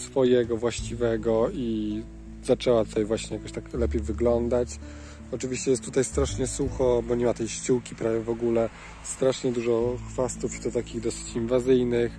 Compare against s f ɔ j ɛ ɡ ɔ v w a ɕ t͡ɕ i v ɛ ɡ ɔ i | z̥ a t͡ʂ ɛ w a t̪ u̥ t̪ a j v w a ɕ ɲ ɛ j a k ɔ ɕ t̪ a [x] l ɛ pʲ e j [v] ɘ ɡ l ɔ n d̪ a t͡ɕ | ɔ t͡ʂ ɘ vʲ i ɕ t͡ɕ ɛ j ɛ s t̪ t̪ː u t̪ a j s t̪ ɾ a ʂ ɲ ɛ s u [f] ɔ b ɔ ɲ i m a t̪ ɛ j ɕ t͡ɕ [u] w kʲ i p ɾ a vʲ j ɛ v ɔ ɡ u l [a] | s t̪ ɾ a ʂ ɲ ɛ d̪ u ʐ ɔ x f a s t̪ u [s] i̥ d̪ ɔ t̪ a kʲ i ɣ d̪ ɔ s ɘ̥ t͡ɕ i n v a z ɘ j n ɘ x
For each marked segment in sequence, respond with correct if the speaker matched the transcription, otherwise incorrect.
incorrect: k, correct, incorrect: x, correct, incorrect: ɛ, incorrect: f

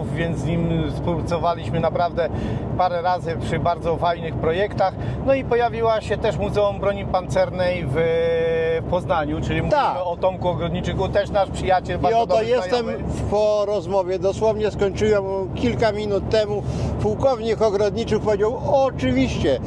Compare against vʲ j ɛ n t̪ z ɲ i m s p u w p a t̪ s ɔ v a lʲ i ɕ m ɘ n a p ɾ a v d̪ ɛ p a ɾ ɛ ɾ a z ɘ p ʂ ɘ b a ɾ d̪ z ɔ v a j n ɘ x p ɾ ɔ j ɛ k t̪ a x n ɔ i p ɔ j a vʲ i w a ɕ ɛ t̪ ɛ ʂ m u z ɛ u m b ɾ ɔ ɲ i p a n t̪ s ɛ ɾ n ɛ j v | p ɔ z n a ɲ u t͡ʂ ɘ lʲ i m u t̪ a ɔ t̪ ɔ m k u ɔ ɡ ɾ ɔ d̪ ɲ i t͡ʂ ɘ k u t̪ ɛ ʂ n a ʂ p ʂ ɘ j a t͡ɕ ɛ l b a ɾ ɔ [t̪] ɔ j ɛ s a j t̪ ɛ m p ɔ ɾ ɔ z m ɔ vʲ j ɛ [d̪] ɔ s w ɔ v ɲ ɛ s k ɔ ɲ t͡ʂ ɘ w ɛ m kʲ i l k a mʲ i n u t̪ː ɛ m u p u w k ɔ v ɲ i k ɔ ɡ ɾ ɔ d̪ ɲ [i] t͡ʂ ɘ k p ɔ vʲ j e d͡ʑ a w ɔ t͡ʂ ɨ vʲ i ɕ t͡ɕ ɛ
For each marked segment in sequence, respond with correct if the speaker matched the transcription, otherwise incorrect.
incorrect: d̪, correct, correct

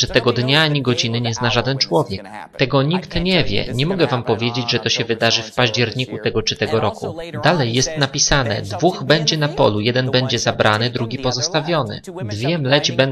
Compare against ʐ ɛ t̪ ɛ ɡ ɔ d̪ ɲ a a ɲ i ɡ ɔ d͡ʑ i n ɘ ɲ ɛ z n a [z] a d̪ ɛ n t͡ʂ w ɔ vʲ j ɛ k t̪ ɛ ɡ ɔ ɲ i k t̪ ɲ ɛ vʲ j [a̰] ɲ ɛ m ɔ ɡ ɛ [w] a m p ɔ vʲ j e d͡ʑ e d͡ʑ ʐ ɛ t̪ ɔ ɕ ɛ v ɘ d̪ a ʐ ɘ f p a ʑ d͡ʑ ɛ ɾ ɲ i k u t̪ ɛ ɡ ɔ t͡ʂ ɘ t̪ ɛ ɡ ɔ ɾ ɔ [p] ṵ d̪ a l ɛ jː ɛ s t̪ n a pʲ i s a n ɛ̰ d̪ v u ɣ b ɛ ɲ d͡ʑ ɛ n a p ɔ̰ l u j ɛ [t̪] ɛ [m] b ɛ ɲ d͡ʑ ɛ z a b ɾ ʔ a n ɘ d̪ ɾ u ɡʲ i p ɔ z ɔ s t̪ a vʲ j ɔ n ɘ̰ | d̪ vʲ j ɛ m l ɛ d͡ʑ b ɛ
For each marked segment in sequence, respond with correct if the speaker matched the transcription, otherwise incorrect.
incorrect: ʐ, incorrect: ɛ̰, incorrect: v, incorrect: k, incorrect: d̪, incorrect: n

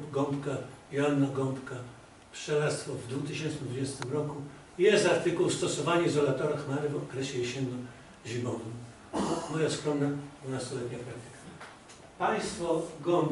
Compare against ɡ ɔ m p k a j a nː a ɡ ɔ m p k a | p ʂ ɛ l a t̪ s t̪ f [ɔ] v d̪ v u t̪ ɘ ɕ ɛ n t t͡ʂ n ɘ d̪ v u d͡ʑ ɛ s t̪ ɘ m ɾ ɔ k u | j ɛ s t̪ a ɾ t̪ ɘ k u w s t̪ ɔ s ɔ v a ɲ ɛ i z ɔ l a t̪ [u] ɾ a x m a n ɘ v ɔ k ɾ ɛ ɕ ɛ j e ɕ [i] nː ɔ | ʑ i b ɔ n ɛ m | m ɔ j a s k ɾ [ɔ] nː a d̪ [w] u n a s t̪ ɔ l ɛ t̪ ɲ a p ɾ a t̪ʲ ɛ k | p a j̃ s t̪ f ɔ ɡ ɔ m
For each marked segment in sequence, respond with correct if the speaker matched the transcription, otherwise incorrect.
correct, incorrect: ɔ, incorrect: ɛ, correct, incorrect: v

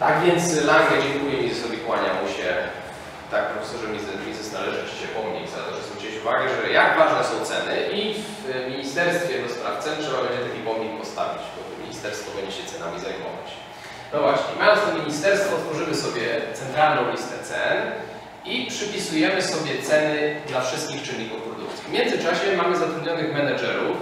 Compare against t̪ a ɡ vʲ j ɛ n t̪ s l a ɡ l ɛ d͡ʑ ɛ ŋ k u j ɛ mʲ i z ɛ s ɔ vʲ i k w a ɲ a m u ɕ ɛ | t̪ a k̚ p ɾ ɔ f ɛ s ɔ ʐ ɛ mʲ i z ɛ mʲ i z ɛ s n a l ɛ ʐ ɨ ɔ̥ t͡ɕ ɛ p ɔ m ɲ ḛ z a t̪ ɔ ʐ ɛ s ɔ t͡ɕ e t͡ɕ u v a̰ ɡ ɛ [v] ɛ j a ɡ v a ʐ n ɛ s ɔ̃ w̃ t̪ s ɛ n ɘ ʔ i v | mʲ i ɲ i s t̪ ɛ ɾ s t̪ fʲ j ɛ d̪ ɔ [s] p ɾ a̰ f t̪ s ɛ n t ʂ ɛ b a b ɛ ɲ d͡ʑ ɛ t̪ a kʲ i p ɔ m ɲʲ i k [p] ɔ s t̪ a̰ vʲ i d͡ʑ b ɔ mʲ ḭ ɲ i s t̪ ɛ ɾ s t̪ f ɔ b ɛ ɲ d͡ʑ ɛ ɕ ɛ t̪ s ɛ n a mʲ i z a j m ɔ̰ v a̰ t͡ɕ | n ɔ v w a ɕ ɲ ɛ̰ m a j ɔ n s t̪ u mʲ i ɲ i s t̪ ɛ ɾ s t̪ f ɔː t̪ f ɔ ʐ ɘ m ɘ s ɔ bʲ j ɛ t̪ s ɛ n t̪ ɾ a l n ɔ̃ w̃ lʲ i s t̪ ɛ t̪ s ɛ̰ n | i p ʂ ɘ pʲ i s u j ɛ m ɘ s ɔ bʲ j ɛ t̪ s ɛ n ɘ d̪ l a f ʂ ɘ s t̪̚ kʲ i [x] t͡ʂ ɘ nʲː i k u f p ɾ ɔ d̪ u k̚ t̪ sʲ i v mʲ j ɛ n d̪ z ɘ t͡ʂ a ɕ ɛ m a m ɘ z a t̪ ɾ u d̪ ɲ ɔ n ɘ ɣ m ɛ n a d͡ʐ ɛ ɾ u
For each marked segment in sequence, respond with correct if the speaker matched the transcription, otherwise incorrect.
incorrect: ʐ, correct, correct, correct

